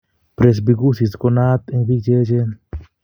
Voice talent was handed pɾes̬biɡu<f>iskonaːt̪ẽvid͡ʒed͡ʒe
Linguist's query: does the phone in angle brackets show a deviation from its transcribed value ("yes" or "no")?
yes